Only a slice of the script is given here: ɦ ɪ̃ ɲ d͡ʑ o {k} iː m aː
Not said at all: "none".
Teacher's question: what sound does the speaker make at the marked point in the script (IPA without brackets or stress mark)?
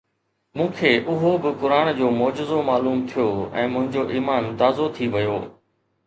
ʔ